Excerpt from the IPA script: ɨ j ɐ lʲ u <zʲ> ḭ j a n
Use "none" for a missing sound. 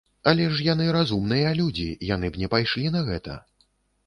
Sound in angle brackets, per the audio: d͡zʲ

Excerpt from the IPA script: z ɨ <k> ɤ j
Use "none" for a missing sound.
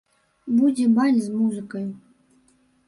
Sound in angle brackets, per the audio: k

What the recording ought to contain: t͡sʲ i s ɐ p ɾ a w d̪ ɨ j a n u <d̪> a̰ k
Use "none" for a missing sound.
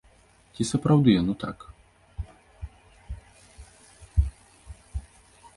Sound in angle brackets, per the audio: t̪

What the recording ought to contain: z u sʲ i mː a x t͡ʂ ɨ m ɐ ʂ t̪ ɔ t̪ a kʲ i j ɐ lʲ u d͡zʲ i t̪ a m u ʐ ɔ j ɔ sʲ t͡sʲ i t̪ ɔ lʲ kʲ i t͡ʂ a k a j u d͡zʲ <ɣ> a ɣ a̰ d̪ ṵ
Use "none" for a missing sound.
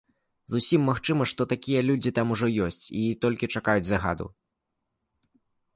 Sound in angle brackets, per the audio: z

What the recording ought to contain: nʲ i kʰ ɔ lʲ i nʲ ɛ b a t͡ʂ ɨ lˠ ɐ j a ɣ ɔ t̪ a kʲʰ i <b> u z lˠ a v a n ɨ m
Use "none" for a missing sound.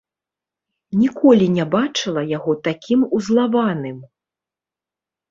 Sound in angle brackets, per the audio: m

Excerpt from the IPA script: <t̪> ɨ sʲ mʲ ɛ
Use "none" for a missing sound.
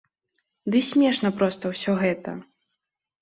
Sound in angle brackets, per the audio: d̪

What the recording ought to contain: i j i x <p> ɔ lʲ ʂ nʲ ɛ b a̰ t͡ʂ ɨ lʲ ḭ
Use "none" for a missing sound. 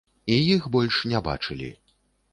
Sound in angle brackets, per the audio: b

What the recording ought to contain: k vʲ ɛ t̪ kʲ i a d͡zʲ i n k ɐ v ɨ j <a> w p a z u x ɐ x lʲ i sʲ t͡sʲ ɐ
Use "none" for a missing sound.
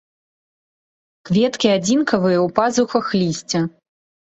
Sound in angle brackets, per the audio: ɐ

